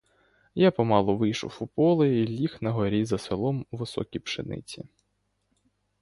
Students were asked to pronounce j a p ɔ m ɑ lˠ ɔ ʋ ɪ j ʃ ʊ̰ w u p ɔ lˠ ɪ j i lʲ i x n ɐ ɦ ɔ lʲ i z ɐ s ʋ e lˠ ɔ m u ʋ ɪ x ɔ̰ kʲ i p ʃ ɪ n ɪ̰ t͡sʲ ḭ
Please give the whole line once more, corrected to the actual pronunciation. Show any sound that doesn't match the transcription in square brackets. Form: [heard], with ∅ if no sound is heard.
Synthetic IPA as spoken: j a p ɔ m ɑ lˠ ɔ ʋ ɪ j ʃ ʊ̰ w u p ɔ lˠ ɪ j i lʲ i x n ɐ ɦ ɔ [ɾʲ] i z ɐ s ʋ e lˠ ɔ m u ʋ ɪ [s] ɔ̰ kʲ i p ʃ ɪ n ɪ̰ t͡sʲ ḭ